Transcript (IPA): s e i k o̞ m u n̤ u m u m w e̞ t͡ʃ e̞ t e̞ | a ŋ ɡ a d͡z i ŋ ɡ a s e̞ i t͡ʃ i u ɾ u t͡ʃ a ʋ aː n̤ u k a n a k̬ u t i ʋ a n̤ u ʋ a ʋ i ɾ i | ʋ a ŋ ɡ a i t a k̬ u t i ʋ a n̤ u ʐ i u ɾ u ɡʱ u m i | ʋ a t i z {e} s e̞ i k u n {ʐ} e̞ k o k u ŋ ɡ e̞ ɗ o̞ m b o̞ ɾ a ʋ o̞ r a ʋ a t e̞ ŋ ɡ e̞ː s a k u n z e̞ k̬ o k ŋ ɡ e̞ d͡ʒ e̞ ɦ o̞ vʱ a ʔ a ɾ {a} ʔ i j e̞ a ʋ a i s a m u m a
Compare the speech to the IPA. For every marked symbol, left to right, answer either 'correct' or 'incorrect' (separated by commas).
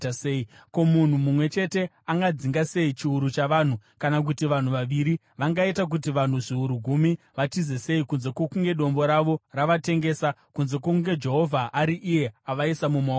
correct, incorrect, incorrect